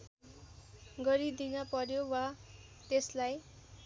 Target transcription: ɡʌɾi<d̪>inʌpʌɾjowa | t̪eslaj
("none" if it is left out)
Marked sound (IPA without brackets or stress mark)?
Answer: d̪